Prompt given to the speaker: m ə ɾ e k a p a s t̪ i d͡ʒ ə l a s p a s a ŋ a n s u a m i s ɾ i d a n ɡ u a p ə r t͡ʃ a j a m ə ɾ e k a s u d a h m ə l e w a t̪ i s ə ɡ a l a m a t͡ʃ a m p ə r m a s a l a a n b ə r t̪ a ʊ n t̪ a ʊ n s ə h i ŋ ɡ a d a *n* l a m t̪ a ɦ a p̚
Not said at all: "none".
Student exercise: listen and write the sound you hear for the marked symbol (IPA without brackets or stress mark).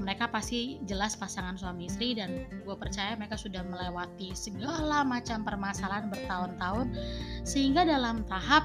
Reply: none